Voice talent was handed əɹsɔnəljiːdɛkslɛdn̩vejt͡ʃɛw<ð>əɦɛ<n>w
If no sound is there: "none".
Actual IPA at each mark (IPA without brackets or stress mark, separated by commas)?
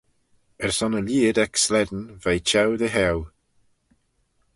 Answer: ð, none